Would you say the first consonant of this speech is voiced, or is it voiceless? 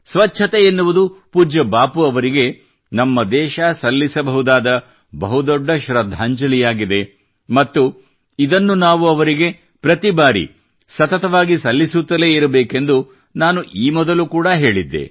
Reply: voiceless